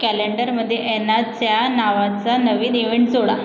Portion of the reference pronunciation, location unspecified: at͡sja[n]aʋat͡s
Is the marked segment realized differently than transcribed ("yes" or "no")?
no